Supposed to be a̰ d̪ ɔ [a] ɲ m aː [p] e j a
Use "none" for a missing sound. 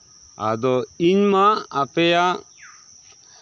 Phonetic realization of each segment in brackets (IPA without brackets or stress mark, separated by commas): i, p